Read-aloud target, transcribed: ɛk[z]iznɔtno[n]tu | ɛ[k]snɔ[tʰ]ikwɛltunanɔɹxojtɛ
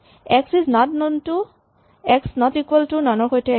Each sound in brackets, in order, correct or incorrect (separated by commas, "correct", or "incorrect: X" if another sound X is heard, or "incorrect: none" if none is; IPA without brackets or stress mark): incorrect: s, correct, correct, incorrect: t